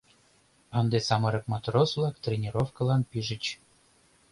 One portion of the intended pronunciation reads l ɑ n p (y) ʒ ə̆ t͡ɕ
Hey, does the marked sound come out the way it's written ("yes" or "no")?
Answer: no